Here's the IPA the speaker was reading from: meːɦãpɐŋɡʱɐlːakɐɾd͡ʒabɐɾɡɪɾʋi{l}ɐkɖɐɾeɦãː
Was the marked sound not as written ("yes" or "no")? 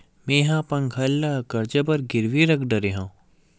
yes